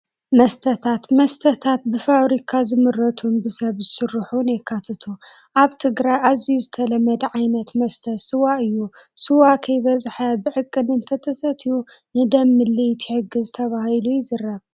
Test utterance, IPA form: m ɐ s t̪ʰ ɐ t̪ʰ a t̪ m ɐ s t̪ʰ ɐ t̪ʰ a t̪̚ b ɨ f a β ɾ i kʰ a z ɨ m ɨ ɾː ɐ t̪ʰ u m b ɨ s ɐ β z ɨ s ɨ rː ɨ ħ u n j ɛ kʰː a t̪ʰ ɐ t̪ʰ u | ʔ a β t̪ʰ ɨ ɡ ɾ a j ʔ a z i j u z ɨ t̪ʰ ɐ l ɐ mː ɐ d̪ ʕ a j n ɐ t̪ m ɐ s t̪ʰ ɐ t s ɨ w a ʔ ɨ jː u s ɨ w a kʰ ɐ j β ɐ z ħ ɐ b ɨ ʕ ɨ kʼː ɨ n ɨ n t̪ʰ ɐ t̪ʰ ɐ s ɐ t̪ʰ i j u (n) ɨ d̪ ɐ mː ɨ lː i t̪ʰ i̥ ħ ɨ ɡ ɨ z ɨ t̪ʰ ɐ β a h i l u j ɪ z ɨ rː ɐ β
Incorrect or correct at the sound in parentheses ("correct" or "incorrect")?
correct